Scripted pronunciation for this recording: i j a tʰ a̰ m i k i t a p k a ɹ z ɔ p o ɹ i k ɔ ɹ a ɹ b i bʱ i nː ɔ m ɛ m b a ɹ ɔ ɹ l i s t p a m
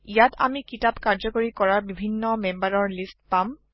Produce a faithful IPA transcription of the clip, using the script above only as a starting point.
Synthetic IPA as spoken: i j a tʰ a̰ m i k i t a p k a ɹ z ɔ k o ɹ i k ɔ ɹ a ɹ b i bʱ i nː ɔ m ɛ m b a ɹ ɔ ɹ l i s t p a m